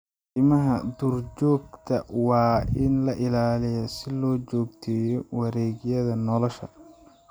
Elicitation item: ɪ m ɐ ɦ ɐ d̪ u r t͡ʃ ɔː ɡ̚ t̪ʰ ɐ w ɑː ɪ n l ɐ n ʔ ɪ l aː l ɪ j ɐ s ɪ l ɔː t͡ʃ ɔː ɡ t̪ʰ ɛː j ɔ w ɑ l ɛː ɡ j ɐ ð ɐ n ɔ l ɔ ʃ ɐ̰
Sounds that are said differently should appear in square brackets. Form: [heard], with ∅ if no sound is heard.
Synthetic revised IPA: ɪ m ɐ ɦ ɐ d̪ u r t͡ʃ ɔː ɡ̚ t̪ʰ ɐ w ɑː ɪ n l ɐ [∅] ʔ ɪ l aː l ɪ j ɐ s ɪ l ɔː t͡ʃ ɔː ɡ t̪ʰ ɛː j ɔ w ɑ [ɾ] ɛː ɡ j ɐ ð ɐ n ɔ l ɔ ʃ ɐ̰